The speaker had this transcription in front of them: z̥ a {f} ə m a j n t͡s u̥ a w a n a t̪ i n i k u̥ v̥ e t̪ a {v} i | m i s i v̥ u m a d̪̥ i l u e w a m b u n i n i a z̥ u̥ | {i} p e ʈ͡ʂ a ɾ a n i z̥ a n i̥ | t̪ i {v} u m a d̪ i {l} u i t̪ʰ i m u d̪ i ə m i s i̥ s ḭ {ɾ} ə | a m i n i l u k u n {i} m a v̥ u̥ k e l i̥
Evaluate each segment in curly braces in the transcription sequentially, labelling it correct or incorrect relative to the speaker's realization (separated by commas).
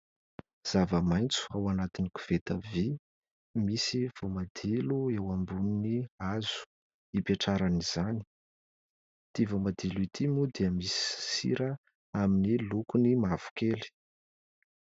incorrect, correct, correct, correct, correct, correct, correct